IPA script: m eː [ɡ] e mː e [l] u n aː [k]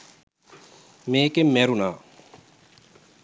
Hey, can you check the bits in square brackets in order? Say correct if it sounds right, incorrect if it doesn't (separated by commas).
incorrect, incorrect, incorrect